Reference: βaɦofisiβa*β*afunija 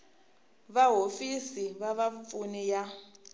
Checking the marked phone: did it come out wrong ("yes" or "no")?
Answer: no